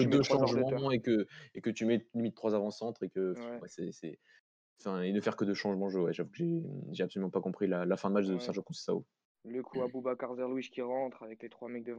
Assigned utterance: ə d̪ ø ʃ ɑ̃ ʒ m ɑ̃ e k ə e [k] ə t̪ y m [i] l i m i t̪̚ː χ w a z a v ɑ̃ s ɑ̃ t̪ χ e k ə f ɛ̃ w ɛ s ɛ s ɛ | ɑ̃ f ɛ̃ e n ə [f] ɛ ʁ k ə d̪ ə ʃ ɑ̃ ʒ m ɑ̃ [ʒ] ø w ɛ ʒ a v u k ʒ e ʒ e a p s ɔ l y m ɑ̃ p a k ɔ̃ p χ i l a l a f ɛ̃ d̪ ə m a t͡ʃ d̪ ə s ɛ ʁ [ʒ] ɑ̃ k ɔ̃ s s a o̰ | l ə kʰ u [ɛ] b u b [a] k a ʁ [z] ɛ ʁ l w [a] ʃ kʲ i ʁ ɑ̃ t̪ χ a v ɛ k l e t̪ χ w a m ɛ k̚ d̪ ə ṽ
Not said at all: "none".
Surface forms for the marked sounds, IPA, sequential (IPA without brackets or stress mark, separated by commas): k, ɛ, f, ʒ, ʒ, a, a, z, i